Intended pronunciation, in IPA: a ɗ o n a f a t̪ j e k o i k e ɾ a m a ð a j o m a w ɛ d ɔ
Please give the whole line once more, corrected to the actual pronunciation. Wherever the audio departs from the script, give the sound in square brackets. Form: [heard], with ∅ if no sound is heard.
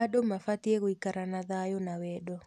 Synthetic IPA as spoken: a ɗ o [m] a f a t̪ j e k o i k [a] ɾ a [n] a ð a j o [n] a w ɛ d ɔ